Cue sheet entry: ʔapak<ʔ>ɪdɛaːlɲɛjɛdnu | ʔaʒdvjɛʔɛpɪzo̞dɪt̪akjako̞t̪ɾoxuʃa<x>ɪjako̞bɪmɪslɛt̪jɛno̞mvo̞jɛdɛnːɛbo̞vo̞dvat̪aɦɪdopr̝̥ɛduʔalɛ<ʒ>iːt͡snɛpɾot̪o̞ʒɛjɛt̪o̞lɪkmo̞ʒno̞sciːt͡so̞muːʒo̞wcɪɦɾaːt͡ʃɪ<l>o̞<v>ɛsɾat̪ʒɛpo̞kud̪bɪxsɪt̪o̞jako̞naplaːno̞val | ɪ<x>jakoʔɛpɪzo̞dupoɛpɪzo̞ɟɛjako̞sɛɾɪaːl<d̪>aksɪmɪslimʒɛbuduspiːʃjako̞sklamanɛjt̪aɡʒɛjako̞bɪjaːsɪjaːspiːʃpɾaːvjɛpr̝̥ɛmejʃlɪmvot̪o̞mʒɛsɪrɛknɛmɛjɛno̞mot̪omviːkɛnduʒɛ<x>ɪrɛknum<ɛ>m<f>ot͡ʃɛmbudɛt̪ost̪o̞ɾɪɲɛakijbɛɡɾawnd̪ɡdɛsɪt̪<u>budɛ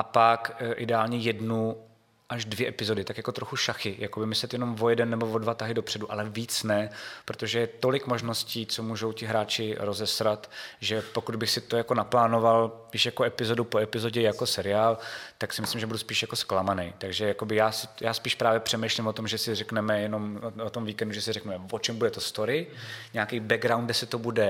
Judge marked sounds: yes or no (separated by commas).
yes, yes, no, no, no, no, no, no, yes, no, no